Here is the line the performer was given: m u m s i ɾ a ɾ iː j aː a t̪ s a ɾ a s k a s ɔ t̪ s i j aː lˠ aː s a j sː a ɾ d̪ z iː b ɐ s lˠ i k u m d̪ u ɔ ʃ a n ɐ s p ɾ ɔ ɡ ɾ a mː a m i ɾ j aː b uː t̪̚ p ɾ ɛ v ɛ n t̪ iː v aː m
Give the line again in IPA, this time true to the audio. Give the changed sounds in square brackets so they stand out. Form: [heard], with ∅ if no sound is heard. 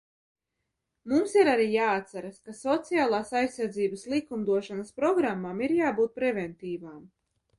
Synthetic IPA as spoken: m u m s i ɾ a ɾ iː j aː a t̪ s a ɾ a s k a s ɔ t̪ s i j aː lˠ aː s a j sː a ɾ d̪ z iː b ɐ s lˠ i k u m d̪ u ɔ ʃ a n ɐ s p ɾ ɔ ɡ ɾ a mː a m i ɾ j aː b uː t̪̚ p ɾ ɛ v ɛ n t̪ iː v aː m